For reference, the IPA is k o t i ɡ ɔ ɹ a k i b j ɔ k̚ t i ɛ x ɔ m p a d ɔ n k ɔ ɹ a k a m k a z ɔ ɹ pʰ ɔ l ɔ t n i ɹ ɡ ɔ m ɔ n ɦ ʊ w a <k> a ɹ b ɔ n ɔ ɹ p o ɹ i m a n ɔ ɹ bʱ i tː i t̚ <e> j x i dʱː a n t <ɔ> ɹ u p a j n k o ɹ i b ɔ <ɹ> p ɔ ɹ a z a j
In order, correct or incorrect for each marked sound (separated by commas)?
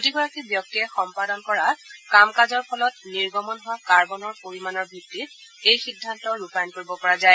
correct, correct, correct, incorrect